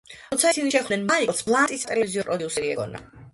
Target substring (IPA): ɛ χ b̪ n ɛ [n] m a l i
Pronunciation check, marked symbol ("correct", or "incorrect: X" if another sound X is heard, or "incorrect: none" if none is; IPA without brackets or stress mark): correct